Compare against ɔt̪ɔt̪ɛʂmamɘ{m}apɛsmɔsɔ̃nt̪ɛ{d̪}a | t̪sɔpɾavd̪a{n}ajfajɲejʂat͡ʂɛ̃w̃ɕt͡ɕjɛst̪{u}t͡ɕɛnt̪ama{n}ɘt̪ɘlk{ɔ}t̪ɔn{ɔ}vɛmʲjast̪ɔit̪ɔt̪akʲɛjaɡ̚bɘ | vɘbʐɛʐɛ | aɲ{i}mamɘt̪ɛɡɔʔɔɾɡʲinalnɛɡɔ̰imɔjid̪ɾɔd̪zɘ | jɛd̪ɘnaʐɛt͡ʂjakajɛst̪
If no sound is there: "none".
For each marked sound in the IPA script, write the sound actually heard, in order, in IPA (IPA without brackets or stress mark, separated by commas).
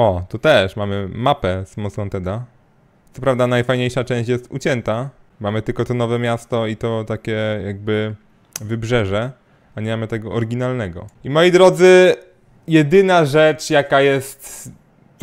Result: m, d̪, n, u, m, ɔ, ɔ, ɛ